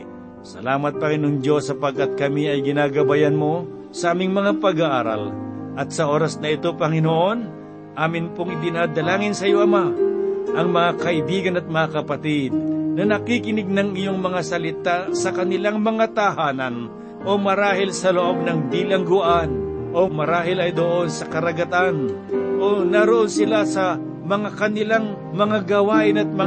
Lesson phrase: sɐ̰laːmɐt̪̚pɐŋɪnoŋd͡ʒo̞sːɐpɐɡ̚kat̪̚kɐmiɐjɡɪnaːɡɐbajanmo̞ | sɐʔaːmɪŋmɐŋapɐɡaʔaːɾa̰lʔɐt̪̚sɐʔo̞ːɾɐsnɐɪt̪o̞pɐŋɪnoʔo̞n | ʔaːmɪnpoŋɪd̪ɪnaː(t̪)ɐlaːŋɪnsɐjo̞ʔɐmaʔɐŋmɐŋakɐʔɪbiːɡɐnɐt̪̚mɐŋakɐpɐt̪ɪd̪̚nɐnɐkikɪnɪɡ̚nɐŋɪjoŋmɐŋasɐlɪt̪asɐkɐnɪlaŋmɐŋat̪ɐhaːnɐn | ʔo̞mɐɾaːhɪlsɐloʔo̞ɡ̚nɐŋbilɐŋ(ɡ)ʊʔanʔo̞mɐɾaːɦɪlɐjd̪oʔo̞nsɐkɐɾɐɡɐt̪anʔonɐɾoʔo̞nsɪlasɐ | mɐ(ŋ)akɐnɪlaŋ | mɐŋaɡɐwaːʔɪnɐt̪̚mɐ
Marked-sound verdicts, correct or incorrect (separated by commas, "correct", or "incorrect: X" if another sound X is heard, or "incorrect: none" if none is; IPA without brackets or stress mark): incorrect: d̪, correct, correct